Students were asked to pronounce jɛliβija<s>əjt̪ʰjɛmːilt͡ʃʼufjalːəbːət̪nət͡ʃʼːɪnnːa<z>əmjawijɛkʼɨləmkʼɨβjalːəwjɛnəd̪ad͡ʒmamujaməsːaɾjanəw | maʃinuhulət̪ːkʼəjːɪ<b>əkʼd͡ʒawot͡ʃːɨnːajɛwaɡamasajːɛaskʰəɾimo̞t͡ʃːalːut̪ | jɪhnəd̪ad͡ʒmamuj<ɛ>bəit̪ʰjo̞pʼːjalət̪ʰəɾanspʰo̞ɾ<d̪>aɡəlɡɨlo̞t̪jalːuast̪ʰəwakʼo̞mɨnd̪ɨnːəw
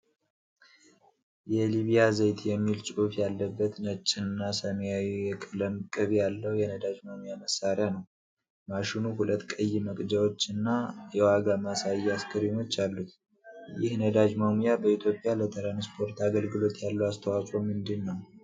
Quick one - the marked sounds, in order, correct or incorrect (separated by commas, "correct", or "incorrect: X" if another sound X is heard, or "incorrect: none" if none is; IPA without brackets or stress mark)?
incorrect: z, incorrect: s, incorrect: m, incorrect: a, incorrect: t̪